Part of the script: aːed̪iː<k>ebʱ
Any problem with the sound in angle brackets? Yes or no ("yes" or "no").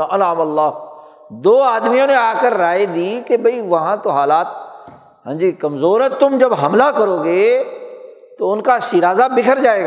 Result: no